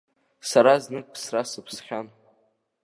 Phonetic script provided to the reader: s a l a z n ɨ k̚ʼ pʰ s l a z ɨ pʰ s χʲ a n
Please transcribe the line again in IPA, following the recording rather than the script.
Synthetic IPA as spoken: s a ɾ a z n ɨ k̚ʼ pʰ s r a s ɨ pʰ s χʲ a n

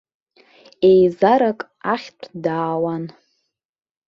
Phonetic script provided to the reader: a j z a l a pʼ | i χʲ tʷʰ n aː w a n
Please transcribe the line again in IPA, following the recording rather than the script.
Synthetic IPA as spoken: e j z a ɾ a kʼ | a χʲ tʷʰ d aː w a n

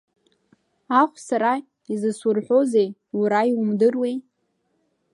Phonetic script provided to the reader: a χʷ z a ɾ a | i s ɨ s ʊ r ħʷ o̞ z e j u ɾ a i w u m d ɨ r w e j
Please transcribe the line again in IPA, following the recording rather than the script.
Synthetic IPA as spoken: a χʷ s a ɾ a | i z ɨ s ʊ r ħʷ o̞ z e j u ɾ a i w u m d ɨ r w e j

